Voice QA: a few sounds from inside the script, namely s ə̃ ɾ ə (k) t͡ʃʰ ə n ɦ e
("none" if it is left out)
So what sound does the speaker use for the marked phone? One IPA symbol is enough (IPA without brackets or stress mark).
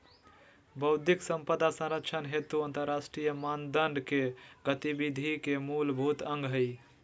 k